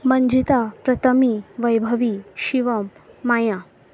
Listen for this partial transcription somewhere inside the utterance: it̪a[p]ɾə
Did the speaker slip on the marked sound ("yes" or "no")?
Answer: no